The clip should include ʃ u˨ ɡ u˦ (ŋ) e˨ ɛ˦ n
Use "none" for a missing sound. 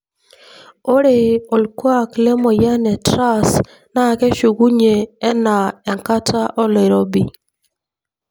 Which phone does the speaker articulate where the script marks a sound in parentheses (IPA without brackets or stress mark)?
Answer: ɲ